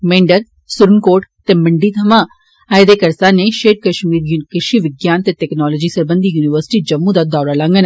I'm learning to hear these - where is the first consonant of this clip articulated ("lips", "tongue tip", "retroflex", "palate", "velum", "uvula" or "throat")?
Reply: lips